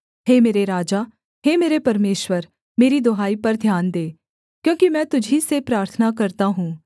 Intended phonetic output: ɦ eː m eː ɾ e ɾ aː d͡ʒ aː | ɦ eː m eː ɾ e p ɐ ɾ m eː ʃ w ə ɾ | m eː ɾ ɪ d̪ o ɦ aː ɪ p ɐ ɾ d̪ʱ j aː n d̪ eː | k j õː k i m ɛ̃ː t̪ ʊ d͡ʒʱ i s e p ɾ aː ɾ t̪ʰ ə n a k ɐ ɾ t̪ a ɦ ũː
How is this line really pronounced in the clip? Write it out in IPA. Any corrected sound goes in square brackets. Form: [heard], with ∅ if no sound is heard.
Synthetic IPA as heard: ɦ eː m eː ɾ e ɾ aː d͡ʒ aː | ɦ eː m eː ɾ e p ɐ ɾ m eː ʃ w ə ɾ | m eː ɾ [i] d̪ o ɦ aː [i] p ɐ ɾ d̪ʱ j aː n d̪ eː | k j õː k i m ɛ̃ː t̪ ʊ d͡ʒʱ i s e p ɾ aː ɾ t̪ʰ ə n a k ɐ ɾ t̪ a ɦ ũː

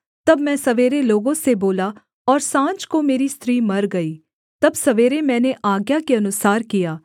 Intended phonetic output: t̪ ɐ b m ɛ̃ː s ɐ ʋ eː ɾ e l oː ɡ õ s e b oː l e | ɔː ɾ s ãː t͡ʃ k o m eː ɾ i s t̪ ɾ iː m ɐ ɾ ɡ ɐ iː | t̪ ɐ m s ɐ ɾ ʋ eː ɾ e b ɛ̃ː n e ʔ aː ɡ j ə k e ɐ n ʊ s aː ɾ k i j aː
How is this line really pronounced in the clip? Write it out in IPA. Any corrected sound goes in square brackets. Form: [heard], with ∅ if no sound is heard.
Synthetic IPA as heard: t̪ ɐ b m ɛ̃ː s ɐ ʋ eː ɾ e l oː ɡ õ s e b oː l [a] | ɔː ɾ s ãː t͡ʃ k o m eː ɾ i s t̪ ɾ iː m ɐ ɾ ɡ ɐ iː | t̪ ɐ [b] s ɐ [∅] ʋ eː ɾ e [m] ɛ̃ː n e ʔ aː ɡ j [a] k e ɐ n ʊ s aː ɾ k i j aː

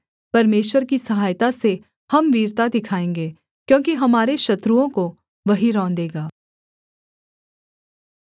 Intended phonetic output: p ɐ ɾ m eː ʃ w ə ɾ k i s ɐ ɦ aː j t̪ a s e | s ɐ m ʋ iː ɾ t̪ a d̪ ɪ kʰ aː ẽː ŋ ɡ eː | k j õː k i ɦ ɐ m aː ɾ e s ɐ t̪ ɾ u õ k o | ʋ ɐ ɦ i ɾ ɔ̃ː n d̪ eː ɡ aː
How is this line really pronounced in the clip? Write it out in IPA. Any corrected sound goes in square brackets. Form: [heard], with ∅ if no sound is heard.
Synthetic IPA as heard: p ɐ ɾ m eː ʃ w ə ɾ k i s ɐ ɦ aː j t̪ a s e | [h] ɐ m ʋ iː ɾ t̪ a d̪ ɪ kʰ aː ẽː ŋ ɡ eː | k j õː k i ɦ ɐ m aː ɾ e [ʃ] ɐ t̪ ɾ u õ k o | ʋ ɐ ɦ i ɾ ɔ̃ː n d̪ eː ɡ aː

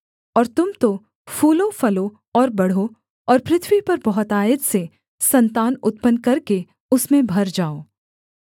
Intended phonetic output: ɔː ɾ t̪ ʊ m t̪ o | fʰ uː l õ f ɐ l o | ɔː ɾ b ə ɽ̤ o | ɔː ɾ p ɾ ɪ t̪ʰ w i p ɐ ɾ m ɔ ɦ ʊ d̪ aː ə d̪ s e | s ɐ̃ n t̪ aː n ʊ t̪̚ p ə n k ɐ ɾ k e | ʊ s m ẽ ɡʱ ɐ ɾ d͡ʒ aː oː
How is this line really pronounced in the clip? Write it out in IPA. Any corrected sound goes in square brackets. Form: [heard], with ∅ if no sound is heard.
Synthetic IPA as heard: ɔː ɾ t̪ ʊ m t̪ o | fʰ uː l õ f ɐ l o | ɔː ɾ b [ɐ] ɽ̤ o | ɔː ɾ p ɾ ɪ t̪ʰ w i p ɐ ɾ [b] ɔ ɦ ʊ [t̪] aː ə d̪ s e | s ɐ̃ n t̪ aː n ʊ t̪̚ p ə n k ɐ ɾ k e | ʊ s m ẽ [bʱ] ɐ ɾ d͡ʒ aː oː

